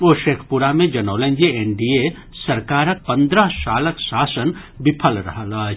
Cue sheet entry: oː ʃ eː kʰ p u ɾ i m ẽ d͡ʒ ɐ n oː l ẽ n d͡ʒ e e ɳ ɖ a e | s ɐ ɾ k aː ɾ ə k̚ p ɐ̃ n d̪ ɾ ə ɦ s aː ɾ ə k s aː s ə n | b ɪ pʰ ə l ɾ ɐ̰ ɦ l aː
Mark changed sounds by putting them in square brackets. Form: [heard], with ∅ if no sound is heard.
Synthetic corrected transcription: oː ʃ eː kʰ p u ɾ [a] m ẽ d͡ʒ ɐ n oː l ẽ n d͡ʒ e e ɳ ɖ [i] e | s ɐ ɾ k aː ɾ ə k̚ p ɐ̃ n d̪ ɾ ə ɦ s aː [l] ə k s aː s ə n | b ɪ pʰ ə l ɾ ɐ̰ ɦ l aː